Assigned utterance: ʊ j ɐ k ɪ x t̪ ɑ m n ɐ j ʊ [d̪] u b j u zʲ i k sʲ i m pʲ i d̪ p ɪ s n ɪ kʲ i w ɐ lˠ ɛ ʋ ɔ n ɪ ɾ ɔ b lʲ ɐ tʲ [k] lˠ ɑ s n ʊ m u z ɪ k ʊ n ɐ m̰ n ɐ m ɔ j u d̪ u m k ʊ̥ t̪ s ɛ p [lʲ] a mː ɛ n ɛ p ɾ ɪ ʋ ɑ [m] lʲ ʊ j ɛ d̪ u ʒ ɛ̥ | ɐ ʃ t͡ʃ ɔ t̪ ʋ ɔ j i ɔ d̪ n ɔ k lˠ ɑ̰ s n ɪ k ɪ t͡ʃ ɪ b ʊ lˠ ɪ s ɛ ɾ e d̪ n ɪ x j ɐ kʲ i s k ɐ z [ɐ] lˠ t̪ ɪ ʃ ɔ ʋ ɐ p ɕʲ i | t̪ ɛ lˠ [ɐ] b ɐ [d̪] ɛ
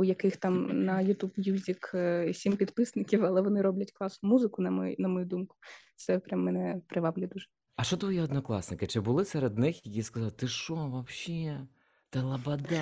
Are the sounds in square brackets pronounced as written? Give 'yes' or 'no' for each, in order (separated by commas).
no, yes, no, no, no, yes, yes